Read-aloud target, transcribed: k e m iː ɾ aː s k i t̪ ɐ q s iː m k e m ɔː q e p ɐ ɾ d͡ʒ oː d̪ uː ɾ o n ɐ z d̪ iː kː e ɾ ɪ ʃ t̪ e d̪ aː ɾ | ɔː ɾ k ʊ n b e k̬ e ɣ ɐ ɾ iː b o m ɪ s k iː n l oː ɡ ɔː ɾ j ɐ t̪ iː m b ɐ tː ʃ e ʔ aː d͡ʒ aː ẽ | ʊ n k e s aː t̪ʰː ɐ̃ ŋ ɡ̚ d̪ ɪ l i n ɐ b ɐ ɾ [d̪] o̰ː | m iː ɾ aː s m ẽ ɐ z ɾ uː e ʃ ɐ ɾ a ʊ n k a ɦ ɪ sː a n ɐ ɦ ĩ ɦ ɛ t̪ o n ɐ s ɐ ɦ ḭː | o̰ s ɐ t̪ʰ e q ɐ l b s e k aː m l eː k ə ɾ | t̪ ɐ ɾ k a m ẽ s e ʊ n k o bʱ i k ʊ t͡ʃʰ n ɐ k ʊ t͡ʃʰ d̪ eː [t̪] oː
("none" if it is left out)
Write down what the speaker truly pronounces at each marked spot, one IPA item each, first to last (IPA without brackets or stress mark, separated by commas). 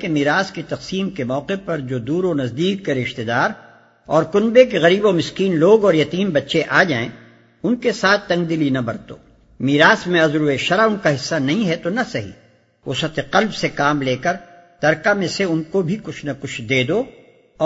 t̪, d̪